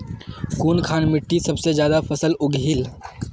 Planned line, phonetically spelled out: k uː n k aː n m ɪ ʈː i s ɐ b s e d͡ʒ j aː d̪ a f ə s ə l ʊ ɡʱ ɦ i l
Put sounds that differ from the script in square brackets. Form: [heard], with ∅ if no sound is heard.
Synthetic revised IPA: k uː n [kʰ] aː n m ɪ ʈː i s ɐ b s e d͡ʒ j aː d̪ a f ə s ə l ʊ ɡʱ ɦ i l